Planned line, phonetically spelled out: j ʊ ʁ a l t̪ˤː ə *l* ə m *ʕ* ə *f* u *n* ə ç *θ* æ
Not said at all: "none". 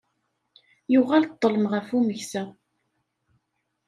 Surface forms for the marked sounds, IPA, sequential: l, ʁ, f, m, s

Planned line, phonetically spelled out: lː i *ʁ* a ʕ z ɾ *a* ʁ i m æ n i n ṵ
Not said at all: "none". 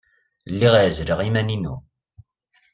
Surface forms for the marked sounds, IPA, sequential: ʁ, ə

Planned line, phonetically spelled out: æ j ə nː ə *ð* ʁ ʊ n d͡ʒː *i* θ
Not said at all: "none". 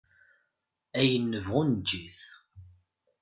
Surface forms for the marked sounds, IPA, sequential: v, i

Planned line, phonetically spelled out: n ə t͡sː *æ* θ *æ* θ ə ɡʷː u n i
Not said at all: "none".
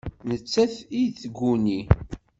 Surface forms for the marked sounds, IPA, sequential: æ, i

